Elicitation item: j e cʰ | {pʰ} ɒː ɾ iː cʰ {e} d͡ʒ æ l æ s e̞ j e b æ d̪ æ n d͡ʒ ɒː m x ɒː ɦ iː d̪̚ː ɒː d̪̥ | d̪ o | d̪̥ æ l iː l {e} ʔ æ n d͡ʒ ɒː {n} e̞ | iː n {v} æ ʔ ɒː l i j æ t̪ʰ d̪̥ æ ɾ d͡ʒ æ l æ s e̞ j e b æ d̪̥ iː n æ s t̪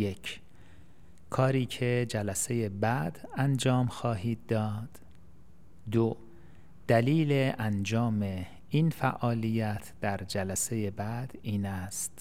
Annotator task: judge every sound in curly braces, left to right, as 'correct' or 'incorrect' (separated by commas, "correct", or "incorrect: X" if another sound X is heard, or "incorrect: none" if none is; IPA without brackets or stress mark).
incorrect: kʰ, correct, correct, incorrect: m, incorrect: f